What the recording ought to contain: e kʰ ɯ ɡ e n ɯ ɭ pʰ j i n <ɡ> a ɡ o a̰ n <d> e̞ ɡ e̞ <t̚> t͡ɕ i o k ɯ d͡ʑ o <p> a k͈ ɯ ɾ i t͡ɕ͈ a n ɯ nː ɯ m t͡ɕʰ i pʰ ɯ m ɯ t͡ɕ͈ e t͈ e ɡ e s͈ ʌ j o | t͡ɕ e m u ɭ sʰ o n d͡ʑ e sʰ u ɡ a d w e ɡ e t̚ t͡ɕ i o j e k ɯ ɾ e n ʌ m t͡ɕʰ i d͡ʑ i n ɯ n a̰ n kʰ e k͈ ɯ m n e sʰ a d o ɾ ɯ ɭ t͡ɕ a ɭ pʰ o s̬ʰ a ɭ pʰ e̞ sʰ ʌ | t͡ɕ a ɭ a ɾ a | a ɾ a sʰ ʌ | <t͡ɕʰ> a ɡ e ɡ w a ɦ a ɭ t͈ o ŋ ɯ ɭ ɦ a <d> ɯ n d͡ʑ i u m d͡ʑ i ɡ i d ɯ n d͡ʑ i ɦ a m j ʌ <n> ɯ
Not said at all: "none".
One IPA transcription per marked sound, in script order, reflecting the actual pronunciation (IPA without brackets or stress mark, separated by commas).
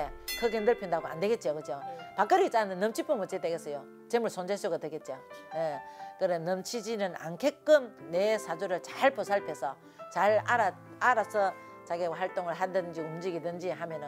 d, d, t̚, p, t͡ɕ, d, n